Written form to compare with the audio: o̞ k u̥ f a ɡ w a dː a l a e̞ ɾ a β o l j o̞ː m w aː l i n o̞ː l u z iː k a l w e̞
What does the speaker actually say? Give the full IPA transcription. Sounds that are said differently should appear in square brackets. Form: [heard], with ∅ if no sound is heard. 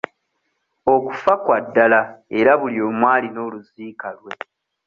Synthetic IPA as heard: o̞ k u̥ f a [k] w a dː a l a e̞ ɾ a β [u] l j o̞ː m w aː l i n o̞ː l u z iː k a l w e̞